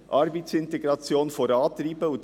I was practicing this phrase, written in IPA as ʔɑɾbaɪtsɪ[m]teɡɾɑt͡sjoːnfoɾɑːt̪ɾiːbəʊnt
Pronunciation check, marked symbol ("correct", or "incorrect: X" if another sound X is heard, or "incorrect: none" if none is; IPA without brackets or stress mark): incorrect: n